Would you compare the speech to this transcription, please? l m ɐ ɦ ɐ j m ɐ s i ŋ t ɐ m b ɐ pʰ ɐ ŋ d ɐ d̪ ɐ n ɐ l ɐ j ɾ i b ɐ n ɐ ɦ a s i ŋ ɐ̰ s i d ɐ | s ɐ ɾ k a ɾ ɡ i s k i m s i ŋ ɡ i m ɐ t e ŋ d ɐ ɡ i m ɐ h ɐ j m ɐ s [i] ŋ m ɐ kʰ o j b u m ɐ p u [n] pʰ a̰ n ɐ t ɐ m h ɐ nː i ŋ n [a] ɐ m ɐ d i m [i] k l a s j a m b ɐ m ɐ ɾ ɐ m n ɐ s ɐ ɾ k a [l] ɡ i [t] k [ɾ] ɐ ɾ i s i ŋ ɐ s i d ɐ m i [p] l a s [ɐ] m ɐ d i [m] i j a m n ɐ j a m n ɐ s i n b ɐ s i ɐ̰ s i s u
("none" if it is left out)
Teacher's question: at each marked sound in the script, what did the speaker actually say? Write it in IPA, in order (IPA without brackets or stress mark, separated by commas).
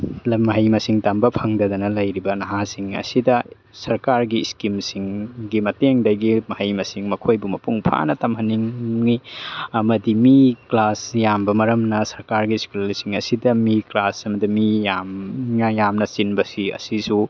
i, ŋ, i, i, ɾ, s, l, k, ɐ, m